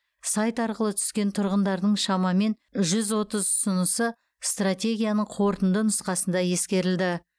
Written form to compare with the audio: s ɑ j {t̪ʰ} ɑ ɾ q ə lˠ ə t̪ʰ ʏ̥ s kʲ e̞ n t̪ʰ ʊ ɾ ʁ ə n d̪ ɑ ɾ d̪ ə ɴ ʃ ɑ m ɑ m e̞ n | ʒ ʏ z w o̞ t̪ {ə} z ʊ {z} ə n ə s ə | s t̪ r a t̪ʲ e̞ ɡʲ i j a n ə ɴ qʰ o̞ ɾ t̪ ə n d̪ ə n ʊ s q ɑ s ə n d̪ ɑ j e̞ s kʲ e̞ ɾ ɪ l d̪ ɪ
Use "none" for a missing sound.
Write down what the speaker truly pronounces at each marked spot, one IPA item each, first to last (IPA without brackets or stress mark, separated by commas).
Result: t̪, ə, s